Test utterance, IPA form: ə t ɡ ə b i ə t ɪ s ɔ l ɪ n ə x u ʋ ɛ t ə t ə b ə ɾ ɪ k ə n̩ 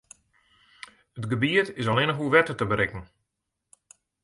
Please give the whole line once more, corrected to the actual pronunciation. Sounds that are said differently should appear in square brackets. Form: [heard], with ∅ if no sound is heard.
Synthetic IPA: ə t ɡ ə b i ə t ɪ s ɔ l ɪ n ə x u ʋ ɛ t ə t ə b ə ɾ ɪ k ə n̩